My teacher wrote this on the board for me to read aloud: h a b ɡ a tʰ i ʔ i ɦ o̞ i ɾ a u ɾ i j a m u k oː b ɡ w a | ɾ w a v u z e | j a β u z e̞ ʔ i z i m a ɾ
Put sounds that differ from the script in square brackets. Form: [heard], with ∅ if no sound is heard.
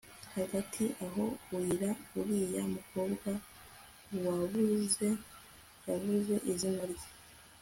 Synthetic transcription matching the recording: h a [∅] ɡ a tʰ i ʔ [a] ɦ o̞ i ɾ a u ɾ i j a m u k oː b ɡ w a | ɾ w a [β] u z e | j a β u z e̞ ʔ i z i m a ɾ

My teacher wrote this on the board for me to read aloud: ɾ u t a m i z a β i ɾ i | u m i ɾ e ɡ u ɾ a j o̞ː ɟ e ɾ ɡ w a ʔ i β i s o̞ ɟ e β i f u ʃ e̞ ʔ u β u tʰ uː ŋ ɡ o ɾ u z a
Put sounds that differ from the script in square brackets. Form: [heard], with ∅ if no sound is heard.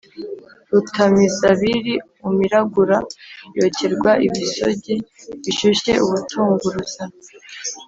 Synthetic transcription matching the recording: ɾ u t a m i z a β i ɾ i | u m i ɾ [a] ɡ u ɾ a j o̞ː [c] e ɾ ɡ w a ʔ i β i s o̞ ɟ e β i [ʃ] u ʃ e̞ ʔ u β u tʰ uː ŋ ɡ [u] ɾ u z a

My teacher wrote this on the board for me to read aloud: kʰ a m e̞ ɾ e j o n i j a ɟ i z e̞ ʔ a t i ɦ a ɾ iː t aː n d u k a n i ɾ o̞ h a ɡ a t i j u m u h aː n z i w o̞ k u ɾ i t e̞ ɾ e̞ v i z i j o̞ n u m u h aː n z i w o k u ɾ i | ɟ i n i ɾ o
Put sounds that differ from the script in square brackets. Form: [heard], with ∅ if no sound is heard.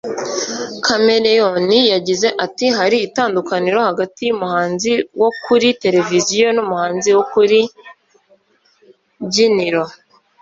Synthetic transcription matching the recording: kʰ a m e̞ ɾ e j o n i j a ɟ i z e̞ ʔ a t i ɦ a ɾ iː t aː n d u k a n i ɾ o̞ h a ɡ a t i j u m u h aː n z i w o̞ k u ɾ i t e̞ ɾ e̞ v i z i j o̞ n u m u h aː n z i w o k u ɾ i | ɟ i n i ɾ o

